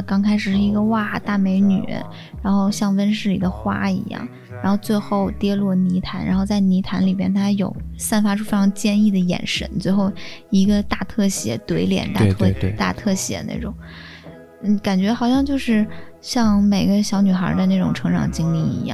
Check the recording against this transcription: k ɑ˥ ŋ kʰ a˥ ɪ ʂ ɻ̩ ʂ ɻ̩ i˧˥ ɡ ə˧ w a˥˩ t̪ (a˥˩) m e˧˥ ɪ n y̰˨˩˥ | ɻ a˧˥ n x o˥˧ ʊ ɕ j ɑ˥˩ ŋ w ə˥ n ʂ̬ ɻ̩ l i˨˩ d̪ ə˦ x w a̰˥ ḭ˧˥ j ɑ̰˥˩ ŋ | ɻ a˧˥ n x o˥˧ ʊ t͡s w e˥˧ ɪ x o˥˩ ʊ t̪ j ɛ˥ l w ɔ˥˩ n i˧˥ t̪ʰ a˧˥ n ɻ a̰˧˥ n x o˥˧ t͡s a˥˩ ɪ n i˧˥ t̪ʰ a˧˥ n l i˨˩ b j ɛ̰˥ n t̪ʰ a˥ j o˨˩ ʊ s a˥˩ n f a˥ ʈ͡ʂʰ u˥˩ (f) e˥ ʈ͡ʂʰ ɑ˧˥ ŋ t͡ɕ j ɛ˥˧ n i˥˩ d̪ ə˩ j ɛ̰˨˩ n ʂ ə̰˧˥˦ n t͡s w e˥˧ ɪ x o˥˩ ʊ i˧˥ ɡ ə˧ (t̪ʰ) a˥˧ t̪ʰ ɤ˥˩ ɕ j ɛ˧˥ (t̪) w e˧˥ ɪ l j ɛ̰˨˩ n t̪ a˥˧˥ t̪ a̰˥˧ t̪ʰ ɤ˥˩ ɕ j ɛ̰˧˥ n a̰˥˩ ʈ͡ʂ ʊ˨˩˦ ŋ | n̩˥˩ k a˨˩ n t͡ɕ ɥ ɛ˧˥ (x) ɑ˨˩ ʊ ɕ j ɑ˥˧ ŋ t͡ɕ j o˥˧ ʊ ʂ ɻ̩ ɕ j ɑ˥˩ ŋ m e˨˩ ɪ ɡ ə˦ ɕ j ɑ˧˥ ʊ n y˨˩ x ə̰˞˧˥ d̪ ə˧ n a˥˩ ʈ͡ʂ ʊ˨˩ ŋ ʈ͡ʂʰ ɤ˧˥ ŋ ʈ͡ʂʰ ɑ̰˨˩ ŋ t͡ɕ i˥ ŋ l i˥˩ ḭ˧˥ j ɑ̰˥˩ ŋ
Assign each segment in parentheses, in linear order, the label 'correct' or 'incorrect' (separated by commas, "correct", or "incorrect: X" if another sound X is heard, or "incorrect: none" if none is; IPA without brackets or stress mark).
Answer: correct, correct, incorrect: t̪, correct, correct